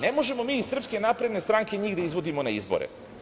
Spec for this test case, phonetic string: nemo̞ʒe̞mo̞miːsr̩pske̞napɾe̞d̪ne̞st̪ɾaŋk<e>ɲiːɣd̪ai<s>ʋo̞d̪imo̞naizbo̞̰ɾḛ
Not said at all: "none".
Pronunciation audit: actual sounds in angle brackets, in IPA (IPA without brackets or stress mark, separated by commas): e, z